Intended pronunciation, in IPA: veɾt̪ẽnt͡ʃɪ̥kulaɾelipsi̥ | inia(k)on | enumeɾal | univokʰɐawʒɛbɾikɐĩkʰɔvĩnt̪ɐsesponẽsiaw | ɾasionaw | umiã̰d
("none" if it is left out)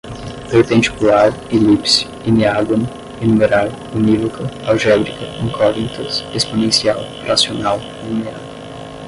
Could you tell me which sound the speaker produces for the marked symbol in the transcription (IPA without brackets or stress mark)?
ɡ